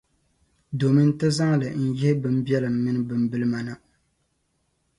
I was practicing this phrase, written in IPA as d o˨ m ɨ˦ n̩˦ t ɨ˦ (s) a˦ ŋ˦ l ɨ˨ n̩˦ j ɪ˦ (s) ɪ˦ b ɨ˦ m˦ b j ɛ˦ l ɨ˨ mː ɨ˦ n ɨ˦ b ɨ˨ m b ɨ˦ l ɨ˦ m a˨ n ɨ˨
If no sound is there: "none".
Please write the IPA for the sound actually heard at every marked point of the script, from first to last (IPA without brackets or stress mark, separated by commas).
z, h